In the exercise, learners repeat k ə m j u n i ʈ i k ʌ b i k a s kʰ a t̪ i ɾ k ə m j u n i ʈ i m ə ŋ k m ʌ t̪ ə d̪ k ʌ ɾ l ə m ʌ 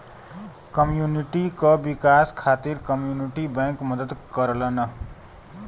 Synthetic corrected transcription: k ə m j u n i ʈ i k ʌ b i k a s kʰ a t̪ i ɾ k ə m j u n i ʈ i b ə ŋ k m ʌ d̪ ə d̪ k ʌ ɾ l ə n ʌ